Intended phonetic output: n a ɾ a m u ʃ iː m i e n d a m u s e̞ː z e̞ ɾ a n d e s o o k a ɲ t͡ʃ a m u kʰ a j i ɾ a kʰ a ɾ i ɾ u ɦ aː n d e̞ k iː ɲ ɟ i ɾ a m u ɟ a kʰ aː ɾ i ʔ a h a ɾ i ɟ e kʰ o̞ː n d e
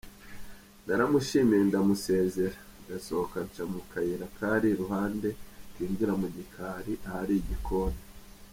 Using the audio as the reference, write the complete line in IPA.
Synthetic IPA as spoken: n a ɾ a m u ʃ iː m i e n d a m u s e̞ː z e̞ ɾ a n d a s o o k a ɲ t͡ʃ a m u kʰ a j i ɾ a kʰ a ɾ i ɾ u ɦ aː n d e̞ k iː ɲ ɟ i ɾ a m u ɟ i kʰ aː ɾ i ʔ a h a ɾ i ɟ i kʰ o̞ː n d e